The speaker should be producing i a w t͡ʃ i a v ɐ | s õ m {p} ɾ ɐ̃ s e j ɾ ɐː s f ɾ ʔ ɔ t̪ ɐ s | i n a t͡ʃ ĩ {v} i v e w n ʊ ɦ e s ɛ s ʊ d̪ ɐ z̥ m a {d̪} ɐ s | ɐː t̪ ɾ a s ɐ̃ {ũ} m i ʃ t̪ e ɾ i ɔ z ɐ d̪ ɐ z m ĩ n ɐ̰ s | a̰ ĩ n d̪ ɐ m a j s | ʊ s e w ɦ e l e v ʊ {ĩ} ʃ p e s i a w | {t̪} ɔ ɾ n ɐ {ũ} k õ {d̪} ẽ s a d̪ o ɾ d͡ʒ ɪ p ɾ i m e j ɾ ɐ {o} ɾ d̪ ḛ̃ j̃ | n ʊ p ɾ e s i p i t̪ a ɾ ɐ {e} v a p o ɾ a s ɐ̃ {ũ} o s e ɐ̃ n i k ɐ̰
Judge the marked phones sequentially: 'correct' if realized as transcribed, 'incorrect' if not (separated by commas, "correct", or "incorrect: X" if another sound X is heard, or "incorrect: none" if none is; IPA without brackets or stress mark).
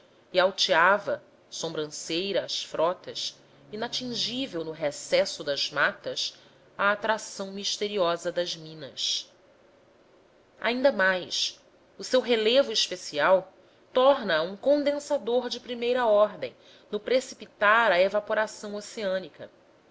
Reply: incorrect: b, incorrect: ʒ, incorrect: t̪, incorrect: w̃, incorrect: i, correct, correct, correct, incorrect: ɔ, correct, incorrect: w̃